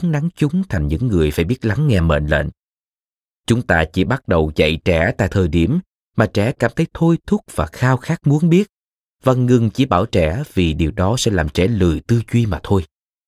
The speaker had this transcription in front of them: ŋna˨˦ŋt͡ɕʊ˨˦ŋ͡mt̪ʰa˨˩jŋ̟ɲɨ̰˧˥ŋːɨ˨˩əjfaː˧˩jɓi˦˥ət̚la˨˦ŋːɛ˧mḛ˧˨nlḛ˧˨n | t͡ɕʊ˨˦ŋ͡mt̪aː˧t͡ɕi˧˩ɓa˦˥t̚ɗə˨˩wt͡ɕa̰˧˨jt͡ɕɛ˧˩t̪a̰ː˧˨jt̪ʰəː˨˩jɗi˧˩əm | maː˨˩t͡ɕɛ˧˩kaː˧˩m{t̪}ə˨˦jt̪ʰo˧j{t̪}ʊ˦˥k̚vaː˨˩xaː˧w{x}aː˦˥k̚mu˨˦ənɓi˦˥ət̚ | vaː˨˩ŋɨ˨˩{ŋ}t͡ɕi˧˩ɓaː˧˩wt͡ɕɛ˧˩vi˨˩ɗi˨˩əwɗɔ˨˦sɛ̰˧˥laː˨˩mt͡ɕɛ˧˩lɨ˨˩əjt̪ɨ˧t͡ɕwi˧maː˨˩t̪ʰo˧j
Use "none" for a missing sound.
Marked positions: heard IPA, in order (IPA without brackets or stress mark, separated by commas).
t̪ʰ, t̪ʰ, x, ŋ